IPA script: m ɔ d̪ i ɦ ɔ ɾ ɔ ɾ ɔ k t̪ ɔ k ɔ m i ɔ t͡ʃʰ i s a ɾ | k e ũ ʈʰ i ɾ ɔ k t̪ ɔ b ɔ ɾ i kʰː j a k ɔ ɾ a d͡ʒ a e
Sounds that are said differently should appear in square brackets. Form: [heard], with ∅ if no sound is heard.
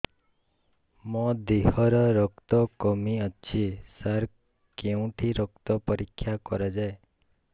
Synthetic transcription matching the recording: m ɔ d̪ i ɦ ɔ ɾ ɔ ɾ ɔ k t̪ ɔ k ɔ m i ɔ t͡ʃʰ i s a ɾ | k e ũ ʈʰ i ɾ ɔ k t̪ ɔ [p] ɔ ɾ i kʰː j a k ɔ ɾ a d͡ʒ a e